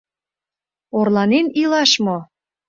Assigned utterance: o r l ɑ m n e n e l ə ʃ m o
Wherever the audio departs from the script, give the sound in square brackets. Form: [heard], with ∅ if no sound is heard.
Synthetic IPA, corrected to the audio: o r l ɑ [∅] n e n [i] l [ɑ] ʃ m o